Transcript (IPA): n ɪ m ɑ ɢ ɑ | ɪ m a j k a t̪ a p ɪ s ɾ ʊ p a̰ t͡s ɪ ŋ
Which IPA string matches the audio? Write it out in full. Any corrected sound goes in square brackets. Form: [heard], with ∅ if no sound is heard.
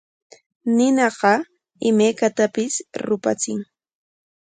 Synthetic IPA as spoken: n ɪ [n] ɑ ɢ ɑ | ɪ m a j k a t̪ a p ɪ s ɾ ʊ p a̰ t͡s ɪ ŋ